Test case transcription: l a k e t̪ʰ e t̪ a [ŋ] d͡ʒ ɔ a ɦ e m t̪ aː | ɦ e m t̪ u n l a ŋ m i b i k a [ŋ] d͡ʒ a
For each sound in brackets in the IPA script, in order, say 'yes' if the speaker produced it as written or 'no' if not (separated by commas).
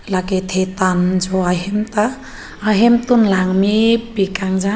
no, yes